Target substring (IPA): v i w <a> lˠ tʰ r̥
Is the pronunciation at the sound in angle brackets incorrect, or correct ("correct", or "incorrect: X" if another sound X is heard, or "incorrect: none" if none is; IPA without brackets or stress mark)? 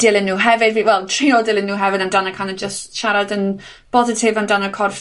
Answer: incorrect: ɛ